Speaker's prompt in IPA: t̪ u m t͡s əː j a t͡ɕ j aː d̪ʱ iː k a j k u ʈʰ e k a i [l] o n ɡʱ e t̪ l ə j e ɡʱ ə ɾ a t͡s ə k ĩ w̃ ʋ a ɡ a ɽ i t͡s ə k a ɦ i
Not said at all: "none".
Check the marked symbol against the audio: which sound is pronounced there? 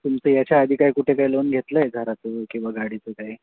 l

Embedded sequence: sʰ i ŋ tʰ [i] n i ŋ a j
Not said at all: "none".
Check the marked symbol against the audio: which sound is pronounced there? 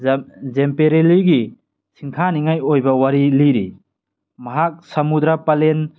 a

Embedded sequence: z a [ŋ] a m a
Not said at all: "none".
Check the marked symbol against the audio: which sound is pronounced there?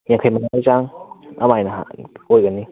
ŋ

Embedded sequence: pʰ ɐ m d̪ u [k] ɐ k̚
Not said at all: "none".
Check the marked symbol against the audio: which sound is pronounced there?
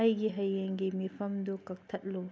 k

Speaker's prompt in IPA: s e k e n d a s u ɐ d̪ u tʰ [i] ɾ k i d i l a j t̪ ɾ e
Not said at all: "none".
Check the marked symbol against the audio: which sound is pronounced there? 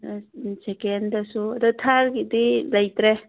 a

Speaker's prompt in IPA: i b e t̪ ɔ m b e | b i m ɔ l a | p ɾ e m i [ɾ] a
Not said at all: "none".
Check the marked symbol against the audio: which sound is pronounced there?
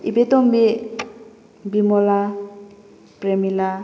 l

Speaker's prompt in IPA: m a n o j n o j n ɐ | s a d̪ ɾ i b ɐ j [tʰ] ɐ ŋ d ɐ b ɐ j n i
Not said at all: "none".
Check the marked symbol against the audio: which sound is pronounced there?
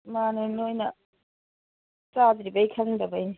kʰ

